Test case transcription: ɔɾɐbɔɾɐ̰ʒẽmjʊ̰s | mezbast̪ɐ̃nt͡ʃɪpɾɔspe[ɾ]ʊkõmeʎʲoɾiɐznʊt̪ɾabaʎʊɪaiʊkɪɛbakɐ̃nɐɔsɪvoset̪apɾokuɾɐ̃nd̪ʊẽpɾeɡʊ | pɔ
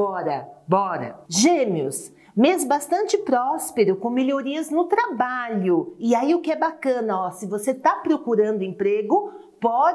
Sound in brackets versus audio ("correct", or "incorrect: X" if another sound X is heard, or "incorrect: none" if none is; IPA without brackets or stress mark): correct